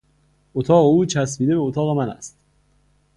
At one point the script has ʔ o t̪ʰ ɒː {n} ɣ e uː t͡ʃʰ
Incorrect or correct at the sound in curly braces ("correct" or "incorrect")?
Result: incorrect